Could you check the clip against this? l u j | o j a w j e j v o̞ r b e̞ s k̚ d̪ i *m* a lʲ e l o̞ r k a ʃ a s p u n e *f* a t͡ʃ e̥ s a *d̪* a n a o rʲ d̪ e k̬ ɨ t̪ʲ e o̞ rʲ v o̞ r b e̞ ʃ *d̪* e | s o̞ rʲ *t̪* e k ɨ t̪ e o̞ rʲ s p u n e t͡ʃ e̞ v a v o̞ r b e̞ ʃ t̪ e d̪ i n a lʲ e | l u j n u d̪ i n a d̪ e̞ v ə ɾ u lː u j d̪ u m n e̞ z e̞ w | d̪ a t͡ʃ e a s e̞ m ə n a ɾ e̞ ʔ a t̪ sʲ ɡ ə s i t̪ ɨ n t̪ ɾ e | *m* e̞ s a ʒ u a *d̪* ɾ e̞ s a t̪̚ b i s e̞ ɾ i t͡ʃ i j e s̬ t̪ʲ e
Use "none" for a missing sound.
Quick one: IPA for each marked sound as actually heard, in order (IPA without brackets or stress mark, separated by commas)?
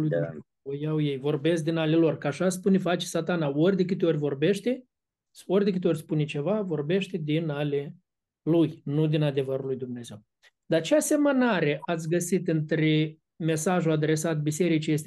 n, f, t̪, t̪, d̪, m, d̪